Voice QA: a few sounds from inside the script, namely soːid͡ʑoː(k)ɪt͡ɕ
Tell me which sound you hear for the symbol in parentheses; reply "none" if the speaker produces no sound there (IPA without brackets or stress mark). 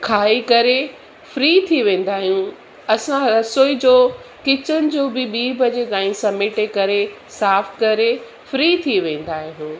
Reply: k